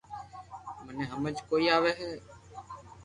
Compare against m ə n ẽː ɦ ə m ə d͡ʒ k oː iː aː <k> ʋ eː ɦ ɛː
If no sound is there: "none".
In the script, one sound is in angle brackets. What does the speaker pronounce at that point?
none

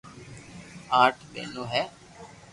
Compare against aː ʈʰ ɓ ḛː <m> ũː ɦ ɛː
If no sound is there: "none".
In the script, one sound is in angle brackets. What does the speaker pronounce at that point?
n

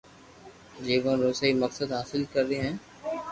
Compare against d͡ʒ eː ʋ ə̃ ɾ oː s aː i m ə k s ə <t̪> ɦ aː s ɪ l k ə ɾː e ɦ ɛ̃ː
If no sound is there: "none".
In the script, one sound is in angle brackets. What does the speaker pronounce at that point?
d̪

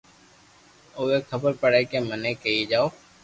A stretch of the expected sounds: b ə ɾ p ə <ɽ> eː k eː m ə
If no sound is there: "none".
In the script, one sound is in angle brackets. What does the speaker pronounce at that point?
ɽ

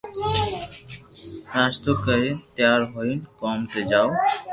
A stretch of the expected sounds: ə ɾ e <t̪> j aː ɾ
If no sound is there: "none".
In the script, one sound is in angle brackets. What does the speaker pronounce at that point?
t̪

